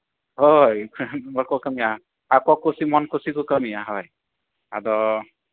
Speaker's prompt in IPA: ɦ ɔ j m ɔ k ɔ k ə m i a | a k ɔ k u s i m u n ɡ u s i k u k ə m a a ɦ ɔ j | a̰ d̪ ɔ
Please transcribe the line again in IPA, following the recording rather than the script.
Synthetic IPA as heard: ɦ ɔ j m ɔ k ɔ k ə m i a | a k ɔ k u s i m ɔ n k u s i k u k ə m i a ɦ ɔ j | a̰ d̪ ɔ